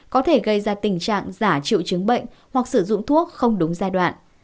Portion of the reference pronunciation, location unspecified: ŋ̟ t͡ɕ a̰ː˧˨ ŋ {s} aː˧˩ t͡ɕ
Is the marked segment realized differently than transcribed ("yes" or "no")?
yes